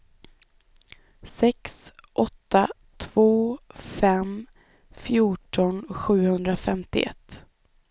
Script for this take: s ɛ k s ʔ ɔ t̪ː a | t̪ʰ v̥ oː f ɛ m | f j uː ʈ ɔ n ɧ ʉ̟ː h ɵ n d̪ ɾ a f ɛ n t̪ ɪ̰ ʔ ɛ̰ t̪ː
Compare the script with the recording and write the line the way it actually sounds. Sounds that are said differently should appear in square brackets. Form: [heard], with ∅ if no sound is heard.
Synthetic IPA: s ɛ k s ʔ ɔ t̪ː a | t̪ʰ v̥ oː f ɛ m | f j uː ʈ ɔ n ɧ ʉ̟ː h ɵ n d̪ ɾ a f ɛ [m] t̪ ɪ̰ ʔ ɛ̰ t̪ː